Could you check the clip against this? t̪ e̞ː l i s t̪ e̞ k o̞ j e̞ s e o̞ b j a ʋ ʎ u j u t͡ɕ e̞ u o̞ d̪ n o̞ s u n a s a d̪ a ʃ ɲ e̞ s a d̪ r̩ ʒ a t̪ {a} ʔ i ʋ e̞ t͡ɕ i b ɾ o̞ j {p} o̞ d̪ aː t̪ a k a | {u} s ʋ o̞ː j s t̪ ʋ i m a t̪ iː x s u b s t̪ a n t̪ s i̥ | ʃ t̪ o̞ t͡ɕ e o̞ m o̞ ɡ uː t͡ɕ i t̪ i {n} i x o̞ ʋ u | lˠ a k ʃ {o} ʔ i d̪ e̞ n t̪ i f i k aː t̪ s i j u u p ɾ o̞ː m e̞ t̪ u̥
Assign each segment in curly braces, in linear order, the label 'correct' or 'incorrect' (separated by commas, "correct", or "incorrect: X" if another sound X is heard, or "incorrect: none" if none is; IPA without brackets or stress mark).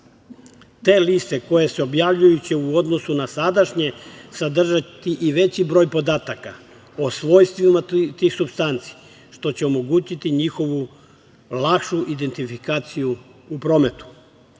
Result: incorrect: i, correct, incorrect: o, incorrect: ɲ, incorrect: u